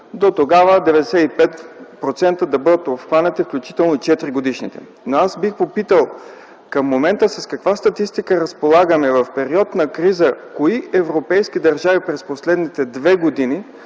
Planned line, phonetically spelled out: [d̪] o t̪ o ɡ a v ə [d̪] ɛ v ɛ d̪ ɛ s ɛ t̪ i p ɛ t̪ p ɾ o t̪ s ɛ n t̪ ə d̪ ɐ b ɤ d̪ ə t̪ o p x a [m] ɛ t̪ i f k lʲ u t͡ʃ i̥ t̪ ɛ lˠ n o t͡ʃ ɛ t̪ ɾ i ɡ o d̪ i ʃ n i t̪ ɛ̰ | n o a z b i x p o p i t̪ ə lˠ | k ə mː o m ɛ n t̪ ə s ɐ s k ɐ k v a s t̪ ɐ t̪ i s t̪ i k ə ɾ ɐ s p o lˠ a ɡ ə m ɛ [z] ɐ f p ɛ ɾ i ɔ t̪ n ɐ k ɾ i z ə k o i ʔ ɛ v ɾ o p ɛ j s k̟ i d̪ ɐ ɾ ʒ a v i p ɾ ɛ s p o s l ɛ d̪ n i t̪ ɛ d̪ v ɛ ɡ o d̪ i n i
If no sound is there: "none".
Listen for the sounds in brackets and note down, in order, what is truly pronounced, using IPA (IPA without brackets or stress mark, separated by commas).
d̪, d̪, n, v